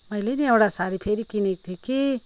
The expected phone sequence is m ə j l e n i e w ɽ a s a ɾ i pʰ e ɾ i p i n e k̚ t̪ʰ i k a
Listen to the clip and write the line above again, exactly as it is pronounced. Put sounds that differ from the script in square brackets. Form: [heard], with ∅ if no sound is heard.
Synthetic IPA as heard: m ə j l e n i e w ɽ a s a ɾ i pʰ e ɾ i [k] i n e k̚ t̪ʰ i k [i]